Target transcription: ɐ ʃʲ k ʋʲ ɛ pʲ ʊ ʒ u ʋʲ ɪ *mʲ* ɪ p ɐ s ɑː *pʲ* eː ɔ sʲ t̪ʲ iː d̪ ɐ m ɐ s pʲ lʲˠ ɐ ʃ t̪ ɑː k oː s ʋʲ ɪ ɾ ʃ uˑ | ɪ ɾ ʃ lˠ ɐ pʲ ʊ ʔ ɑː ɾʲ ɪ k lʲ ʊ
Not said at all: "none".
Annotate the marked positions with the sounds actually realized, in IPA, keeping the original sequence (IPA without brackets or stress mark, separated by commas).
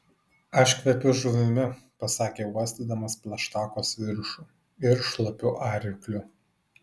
mʲ, kʲ